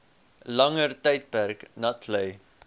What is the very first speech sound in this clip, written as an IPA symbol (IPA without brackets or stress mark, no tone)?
l